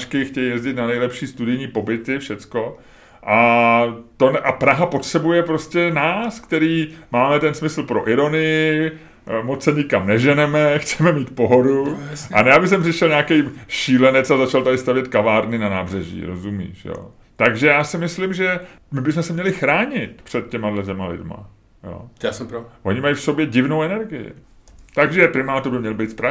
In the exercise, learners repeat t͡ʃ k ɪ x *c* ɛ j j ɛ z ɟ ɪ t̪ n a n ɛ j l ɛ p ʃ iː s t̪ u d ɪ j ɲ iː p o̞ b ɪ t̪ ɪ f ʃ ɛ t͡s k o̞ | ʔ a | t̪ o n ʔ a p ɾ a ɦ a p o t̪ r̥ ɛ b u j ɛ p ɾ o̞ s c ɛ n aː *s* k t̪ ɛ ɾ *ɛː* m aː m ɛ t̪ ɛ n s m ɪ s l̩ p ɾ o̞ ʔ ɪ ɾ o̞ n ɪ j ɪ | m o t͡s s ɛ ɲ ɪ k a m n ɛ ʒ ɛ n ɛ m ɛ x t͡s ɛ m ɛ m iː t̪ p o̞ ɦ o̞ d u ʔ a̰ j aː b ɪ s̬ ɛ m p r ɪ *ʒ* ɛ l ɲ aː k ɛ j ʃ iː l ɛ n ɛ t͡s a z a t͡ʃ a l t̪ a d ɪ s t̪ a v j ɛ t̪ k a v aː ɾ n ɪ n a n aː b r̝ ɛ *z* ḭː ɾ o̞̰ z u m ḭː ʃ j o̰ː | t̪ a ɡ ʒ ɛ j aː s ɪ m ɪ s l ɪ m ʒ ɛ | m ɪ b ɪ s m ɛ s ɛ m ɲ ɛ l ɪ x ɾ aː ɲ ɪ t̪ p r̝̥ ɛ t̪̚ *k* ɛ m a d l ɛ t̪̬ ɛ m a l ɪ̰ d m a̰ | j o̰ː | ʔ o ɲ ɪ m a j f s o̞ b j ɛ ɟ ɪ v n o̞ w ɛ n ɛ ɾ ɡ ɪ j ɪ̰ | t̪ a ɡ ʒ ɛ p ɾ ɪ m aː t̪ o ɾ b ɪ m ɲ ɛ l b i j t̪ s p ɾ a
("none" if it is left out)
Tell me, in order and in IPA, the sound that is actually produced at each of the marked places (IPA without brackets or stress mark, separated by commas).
c, s, iː, ʃ, ʒ, c